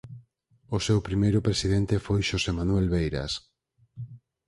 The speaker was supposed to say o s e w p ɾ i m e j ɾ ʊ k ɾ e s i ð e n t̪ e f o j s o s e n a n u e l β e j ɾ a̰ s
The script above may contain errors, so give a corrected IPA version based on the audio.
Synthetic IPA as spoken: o s e w p ɾ i m e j ɾ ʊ p ɾ e s i ð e n t̪ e f o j ʃ o s e m a n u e l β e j ɾ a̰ s